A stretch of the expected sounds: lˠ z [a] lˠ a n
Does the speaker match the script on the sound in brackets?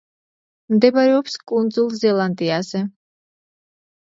no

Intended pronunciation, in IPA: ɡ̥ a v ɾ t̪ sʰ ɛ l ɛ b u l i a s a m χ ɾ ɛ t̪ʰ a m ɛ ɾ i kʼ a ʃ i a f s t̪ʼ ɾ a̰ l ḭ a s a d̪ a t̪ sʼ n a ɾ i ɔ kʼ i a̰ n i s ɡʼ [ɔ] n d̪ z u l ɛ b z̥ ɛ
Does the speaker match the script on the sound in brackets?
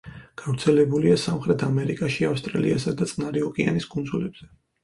no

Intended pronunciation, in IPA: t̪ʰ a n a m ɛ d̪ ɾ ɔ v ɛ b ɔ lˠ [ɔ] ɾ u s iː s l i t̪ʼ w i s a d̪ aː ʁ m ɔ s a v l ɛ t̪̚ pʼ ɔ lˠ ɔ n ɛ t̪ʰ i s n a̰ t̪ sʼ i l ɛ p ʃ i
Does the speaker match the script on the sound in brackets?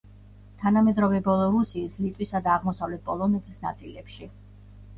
yes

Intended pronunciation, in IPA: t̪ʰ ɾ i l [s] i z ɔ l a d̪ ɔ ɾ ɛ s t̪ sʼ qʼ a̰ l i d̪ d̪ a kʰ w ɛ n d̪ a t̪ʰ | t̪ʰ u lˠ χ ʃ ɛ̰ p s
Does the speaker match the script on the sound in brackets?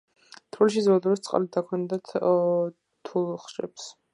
no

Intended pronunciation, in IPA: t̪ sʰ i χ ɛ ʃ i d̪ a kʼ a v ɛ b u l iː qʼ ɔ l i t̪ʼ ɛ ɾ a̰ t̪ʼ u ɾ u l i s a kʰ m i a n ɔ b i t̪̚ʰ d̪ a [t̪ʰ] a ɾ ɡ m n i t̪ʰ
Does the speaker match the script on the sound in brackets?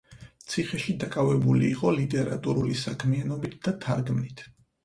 yes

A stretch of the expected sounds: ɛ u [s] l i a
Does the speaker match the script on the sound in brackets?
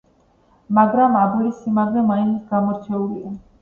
no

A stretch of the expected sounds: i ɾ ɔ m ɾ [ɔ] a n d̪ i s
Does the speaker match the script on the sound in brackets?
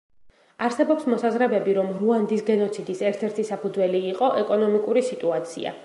no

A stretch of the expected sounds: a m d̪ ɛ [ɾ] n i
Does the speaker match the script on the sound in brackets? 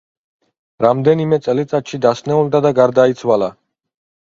no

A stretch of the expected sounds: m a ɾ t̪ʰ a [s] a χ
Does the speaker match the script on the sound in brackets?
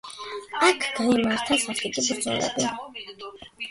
yes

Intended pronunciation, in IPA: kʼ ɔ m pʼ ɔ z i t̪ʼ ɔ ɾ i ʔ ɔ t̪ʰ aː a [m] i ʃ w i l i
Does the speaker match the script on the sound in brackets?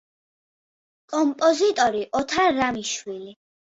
yes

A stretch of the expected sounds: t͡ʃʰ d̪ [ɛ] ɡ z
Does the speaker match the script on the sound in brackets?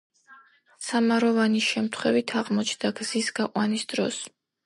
no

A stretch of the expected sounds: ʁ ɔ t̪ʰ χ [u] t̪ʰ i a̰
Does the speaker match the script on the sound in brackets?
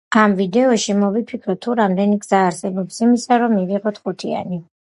yes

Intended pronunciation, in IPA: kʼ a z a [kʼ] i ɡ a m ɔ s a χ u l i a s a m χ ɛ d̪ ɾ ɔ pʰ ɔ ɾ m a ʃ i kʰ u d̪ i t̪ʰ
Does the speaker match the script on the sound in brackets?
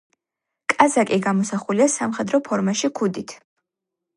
yes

